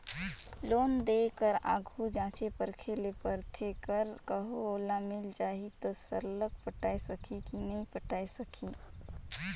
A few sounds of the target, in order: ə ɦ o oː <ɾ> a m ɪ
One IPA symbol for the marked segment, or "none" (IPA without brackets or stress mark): l